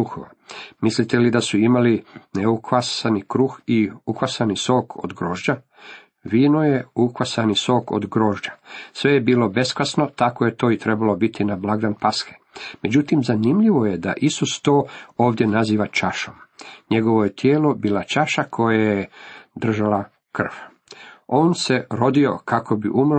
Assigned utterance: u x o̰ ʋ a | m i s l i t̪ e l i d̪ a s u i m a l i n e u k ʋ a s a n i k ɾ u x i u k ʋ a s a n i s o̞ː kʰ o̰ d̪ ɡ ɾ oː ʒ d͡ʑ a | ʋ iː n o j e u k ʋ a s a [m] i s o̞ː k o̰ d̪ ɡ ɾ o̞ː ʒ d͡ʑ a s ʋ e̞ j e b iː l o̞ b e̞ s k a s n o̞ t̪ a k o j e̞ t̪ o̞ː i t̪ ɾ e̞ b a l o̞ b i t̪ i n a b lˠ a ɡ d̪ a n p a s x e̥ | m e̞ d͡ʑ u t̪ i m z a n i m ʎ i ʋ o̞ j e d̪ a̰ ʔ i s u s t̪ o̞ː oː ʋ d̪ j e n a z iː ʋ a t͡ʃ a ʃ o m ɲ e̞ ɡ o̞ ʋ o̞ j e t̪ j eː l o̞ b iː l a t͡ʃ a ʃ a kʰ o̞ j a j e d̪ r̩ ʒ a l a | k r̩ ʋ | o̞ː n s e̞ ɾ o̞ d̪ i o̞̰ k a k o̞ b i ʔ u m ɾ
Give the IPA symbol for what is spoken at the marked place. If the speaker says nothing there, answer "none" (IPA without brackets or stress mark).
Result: n